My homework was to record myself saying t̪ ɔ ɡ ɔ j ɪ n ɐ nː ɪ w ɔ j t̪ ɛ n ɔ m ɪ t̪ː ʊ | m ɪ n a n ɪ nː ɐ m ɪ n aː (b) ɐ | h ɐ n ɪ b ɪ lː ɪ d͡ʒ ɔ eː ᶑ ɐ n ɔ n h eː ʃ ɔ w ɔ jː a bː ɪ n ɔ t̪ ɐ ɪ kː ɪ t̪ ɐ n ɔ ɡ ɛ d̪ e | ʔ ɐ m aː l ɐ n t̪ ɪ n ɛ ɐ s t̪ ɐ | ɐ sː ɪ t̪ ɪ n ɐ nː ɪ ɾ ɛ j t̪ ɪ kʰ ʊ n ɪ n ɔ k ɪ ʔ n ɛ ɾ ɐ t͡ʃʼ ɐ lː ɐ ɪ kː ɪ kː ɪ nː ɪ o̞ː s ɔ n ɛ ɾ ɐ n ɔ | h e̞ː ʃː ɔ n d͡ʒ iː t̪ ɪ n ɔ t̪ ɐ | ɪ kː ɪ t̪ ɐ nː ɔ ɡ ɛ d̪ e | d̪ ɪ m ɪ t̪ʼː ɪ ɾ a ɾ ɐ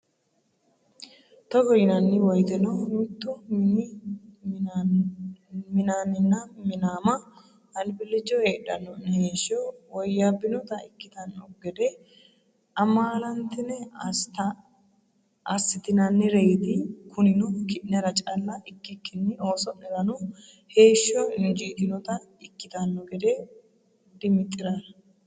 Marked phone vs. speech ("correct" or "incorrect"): incorrect